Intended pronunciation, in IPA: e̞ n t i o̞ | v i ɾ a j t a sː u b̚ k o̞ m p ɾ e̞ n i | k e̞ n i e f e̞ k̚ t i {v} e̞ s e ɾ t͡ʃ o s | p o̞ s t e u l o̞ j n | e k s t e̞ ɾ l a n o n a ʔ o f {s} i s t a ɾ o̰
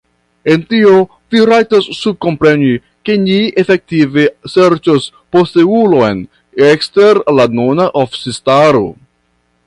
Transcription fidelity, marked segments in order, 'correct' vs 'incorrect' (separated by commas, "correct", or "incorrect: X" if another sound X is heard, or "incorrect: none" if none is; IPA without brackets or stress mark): correct, correct